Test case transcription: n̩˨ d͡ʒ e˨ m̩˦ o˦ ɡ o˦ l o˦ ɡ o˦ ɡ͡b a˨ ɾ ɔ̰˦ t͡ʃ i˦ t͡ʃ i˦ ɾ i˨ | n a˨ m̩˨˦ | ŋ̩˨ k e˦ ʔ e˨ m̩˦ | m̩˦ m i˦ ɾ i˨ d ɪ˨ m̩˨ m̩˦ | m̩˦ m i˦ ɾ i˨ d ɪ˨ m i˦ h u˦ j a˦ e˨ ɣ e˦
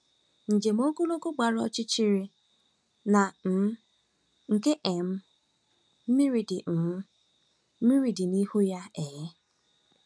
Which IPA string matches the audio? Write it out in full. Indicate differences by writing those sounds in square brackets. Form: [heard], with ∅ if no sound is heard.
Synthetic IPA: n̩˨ d͡ʒ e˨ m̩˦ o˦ ɡ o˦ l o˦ ɡ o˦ ɡ͡b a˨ ɾ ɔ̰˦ t͡ʃ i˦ t͡ʃ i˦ ɾ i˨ | n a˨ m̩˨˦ | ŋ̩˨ k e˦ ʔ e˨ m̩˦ | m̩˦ m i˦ ɾ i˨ d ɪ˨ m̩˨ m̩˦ | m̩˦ m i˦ ɾ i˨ d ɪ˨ [n] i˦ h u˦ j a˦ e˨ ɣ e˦